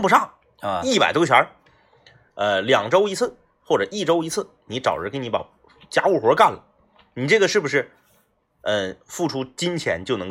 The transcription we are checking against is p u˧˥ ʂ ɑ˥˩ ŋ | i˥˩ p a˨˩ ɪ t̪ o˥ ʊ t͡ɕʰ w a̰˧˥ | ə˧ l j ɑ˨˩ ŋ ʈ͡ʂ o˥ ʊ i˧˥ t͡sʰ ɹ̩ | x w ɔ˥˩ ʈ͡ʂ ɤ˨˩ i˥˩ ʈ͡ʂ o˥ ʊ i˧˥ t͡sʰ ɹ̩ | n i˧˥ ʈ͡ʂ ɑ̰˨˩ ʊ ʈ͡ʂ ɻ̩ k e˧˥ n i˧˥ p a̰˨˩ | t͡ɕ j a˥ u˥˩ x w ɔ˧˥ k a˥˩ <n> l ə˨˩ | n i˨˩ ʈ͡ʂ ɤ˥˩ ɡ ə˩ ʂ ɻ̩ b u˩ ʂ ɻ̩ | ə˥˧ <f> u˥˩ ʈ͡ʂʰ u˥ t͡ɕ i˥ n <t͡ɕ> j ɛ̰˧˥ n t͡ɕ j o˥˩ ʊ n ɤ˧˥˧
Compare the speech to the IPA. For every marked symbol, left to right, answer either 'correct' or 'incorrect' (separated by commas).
correct, correct, incorrect